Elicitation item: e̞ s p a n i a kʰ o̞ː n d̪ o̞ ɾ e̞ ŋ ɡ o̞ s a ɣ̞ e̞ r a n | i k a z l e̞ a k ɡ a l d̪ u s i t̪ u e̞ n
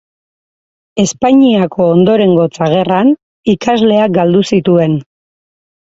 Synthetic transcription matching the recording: e̞ s p a ɲ i a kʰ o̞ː n d̪ o̞ ɾ e̞ ŋ ɡ o̞ t͡s a ɣ̞ e̞ r a n | i k a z l e̞ a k ɡ a l d̪ u s i t̪ u e̞ n